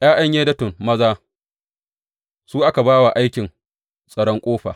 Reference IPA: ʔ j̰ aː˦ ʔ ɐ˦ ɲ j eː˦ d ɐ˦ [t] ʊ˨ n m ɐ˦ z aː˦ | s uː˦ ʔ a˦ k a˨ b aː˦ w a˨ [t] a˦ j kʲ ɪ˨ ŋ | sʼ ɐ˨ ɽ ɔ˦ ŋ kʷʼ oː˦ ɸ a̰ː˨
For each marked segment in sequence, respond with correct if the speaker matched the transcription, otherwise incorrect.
correct, incorrect: ʔ

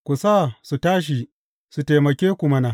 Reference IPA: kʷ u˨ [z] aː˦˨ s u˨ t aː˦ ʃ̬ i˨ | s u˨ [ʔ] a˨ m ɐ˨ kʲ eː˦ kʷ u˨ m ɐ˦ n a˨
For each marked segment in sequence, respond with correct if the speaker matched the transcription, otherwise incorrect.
incorrect: s, incorrect: t

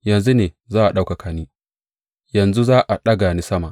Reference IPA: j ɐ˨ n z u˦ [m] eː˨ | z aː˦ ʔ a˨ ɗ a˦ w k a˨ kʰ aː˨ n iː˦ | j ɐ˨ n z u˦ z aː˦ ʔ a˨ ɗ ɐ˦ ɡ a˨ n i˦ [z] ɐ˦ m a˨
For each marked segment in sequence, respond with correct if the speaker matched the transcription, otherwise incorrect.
incorrect: n, incorrect: s

